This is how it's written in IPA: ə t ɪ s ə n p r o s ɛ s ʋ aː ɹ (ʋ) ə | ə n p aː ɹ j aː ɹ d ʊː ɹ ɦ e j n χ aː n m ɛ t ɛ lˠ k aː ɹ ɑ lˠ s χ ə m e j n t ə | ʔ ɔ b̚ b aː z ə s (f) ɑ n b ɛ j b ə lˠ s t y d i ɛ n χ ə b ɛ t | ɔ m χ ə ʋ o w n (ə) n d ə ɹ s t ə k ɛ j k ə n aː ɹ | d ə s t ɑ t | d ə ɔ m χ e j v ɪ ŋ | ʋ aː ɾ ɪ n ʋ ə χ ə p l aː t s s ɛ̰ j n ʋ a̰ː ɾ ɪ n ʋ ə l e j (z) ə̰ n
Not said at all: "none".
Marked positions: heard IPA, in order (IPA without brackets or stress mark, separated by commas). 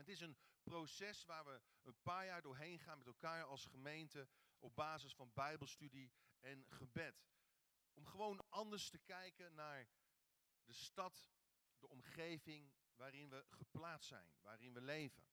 ʋ, f, ɑ, v